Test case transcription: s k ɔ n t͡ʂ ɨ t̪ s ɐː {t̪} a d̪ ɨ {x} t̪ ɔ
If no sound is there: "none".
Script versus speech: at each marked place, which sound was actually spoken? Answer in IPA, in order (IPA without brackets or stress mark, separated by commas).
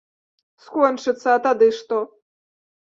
t̪, ʂ